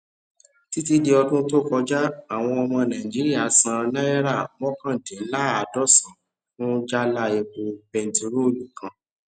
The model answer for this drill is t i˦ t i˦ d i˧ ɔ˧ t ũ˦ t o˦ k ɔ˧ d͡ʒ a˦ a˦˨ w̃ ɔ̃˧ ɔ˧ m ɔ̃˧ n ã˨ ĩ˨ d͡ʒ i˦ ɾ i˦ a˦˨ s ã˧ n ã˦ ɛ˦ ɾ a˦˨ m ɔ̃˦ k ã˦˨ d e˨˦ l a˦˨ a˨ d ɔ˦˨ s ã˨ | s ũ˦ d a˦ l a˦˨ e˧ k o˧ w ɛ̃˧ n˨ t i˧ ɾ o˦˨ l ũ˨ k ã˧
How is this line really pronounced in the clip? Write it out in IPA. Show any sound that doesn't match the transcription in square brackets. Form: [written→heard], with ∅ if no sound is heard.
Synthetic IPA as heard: t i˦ t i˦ d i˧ ɔ˧ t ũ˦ t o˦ k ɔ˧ d͡ʒ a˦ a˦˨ w̃ ɔ̃˧ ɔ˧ m ɔ̃˧ n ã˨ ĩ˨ d͡ʒ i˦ ɾ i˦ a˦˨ s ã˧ n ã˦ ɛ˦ ɾ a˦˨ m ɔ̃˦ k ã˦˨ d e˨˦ l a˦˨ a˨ d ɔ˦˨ s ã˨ | [s→f] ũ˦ [d→d͡ʒ] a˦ l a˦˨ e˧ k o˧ [w→b] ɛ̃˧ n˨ t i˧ ɾ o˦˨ l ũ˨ k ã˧